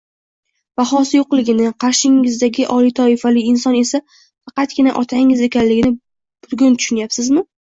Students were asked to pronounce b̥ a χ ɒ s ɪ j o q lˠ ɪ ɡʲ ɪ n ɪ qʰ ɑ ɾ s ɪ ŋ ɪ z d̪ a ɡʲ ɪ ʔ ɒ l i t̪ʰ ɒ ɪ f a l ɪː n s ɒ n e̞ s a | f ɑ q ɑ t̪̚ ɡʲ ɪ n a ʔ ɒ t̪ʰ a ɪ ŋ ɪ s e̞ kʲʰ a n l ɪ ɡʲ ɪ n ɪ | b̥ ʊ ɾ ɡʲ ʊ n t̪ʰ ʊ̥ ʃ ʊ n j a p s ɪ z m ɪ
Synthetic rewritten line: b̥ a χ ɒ s ɪ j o q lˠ ɪ ɡʲ ɪ n ɪ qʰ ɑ ɾ ʃ ɪ ŋ ɪ z d̪ a ɡʲ ɪ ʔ ɒ l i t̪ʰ ɒ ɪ f a l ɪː n s ɒ n e̞ s a | f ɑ q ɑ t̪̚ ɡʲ ɪ n a ʔ ɒ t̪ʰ a ɪ ŋ ɪ z e̞ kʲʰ a n l ɪ ɡʲ ɪ n ɪ | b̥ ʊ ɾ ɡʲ ʊ n t̪ʰ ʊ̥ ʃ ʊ n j a p s ɪ z m ɪ